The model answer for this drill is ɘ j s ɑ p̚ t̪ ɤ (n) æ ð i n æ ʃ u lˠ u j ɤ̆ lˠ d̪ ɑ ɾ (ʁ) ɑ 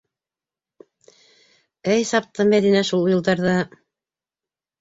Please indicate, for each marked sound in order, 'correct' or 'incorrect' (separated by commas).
incorrect, incorrect